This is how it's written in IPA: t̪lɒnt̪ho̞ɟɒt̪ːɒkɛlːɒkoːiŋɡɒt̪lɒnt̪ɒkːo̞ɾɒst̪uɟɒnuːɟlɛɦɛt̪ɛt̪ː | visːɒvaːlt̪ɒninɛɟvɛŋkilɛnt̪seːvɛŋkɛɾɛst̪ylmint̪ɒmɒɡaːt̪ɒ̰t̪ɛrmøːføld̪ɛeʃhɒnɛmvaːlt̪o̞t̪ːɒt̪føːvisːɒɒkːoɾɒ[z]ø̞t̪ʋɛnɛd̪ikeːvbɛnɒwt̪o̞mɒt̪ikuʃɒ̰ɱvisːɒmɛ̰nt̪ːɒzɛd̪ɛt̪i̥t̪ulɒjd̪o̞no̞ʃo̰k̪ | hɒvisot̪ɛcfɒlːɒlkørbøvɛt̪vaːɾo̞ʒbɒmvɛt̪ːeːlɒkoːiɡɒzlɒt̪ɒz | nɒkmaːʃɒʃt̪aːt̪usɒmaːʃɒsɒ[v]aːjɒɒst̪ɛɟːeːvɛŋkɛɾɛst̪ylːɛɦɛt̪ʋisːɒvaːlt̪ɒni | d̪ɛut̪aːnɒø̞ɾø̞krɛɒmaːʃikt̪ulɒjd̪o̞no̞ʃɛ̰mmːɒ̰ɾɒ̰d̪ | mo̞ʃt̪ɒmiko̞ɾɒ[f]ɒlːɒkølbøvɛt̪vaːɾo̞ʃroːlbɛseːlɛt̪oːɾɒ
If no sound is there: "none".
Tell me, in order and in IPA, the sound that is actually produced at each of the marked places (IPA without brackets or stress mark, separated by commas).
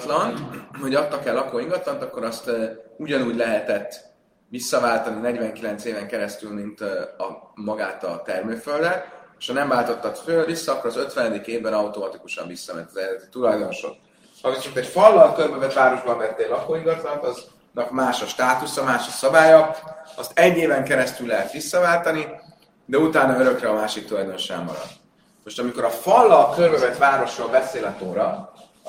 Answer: z, b, f